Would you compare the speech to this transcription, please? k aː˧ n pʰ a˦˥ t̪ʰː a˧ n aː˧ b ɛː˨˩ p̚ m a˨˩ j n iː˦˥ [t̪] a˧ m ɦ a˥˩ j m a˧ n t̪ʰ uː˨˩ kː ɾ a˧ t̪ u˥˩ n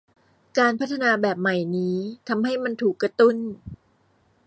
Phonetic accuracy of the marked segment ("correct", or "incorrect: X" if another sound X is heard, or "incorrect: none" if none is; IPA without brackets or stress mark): incorrect: t̪ʰ